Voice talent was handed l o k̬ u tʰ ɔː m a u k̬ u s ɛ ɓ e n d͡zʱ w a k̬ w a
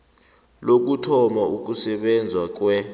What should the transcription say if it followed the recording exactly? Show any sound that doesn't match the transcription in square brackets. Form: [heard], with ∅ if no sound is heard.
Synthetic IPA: l o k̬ u tʰ [ɔ] m a u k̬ u s ɛ ɓ [ɛ] n d͡zʱ w a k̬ w [ɛ]